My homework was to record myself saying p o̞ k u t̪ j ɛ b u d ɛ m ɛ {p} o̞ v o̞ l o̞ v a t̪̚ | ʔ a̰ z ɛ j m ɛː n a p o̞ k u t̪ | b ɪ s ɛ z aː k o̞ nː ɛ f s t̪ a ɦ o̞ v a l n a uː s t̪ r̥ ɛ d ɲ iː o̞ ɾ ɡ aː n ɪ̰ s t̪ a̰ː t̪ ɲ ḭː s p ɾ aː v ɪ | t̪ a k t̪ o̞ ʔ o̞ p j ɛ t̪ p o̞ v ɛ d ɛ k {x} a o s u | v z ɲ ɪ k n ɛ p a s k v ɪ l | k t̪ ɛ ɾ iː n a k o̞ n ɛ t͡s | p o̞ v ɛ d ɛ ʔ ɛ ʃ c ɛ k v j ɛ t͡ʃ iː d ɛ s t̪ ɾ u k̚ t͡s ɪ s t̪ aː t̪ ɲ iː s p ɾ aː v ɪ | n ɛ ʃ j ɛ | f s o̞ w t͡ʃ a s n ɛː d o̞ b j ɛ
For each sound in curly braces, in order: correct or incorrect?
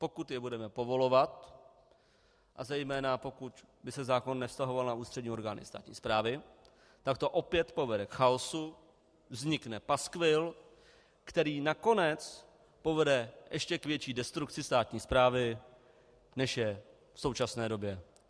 correct, correct

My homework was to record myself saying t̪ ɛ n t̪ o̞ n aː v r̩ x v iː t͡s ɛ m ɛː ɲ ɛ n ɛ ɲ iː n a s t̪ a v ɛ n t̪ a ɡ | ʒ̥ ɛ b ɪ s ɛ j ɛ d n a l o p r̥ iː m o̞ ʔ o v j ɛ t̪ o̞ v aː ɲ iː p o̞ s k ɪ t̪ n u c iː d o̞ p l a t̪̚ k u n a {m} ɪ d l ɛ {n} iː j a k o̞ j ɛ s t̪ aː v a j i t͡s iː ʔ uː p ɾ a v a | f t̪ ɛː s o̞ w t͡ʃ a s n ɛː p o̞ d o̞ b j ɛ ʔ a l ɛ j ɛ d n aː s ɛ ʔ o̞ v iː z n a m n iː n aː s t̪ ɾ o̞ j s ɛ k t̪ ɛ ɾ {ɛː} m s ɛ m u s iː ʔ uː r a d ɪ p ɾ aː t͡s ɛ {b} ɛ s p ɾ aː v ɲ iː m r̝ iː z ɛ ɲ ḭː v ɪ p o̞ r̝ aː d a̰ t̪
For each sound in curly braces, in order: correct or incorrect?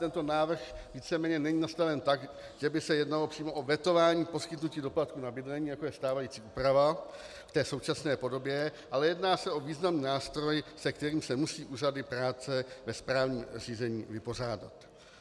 incorrect: b, incorrect: ɲ, incorrect: iː, incorrect: v

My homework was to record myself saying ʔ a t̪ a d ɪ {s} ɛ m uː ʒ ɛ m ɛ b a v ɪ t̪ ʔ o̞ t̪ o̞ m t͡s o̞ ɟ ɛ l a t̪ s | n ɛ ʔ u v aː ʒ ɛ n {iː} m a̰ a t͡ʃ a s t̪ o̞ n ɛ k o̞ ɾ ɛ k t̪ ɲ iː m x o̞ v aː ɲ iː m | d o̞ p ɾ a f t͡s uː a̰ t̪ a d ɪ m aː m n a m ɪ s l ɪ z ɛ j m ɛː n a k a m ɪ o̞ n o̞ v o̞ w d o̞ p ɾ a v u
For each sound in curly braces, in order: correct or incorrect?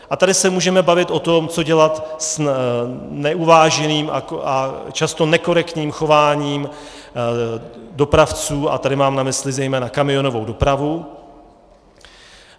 correct, correct

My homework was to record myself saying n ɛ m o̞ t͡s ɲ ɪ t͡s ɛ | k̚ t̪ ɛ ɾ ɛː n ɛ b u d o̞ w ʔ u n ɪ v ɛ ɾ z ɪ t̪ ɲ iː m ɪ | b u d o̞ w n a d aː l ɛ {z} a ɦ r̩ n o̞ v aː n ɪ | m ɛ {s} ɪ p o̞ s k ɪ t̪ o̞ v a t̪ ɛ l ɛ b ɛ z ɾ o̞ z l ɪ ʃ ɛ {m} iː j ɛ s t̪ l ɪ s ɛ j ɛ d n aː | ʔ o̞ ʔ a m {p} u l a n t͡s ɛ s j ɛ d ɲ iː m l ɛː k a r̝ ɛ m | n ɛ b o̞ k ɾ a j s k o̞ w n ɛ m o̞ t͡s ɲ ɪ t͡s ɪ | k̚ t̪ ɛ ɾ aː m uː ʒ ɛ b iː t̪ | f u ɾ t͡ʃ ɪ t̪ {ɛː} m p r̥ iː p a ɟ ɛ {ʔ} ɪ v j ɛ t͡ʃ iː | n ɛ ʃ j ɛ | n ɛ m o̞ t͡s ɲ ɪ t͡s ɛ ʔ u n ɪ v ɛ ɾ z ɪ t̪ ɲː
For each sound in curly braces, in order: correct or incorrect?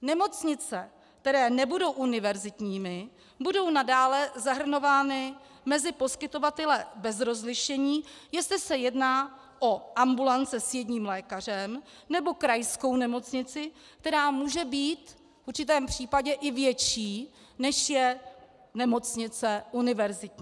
correct, incorrect: z, incorrect: ɲ, incorrect: b, correct, correct

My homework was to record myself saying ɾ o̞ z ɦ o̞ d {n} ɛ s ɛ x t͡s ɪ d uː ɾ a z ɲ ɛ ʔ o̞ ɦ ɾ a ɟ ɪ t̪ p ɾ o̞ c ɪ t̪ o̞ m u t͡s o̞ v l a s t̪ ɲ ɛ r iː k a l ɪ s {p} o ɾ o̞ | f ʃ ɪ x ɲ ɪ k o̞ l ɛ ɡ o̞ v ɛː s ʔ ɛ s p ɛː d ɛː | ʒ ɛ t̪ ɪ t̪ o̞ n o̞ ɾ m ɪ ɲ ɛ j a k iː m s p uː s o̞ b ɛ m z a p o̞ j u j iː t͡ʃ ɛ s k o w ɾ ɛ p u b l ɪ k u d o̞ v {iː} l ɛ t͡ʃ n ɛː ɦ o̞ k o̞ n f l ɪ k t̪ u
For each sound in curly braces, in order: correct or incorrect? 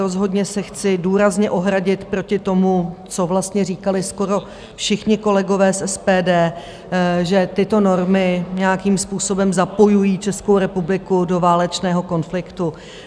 incorrect: ɲ, incorrect: k, incorrect: aː

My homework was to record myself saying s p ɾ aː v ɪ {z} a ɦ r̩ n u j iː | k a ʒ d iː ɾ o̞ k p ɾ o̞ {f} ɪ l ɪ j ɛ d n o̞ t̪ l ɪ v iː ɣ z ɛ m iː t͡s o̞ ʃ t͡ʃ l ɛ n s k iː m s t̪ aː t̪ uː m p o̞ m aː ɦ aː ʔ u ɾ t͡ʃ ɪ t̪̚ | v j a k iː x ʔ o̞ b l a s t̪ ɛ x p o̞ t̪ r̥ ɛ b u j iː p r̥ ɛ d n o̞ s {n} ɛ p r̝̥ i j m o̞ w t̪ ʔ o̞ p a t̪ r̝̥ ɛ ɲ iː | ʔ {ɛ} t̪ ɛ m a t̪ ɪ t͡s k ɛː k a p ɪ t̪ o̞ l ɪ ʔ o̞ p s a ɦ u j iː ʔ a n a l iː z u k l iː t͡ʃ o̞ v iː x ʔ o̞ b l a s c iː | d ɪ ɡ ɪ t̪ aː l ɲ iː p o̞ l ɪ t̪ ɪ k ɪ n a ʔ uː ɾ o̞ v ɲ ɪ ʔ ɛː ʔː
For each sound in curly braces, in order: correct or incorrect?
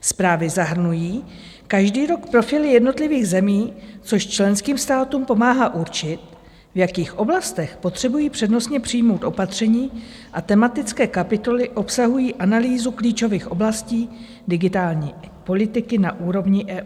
correct, correct, incorrect: ɲ, incorrect: a

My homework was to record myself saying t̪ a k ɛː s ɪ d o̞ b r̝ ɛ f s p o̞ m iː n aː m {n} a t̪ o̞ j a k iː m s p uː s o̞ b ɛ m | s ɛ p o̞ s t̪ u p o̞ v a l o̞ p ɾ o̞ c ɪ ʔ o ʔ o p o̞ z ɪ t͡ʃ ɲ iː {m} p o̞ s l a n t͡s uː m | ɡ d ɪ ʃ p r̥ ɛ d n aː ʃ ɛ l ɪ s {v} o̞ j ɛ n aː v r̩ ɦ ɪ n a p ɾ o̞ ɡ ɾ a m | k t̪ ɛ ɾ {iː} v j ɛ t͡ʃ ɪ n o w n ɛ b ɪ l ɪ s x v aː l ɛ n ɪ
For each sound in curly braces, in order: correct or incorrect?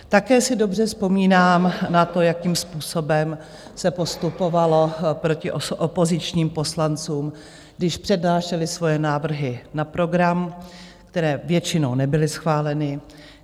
correct, correct, correct, incorrect: ɛː

